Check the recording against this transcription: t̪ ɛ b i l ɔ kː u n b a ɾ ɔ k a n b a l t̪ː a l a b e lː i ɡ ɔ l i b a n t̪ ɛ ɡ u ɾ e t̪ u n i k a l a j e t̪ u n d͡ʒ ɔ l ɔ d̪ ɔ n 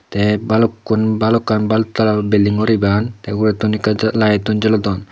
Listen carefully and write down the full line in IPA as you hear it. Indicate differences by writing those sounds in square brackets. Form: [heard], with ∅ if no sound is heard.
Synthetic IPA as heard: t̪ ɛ b [a] l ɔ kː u n b a [l] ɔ k a n b a l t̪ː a l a b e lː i [ŋ] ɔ [ɾ] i b a n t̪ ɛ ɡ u ɾ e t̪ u n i k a l a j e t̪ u n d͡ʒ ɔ l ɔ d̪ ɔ n